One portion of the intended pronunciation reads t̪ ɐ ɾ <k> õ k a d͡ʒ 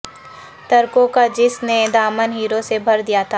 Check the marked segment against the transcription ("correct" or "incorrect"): correct